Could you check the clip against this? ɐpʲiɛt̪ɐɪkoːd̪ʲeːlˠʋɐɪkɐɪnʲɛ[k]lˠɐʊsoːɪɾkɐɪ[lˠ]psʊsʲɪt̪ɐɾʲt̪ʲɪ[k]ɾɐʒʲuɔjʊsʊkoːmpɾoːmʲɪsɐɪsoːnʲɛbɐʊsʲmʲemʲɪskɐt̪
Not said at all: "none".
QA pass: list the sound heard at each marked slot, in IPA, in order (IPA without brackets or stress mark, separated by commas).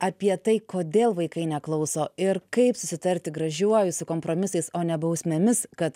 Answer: k, none, ɡ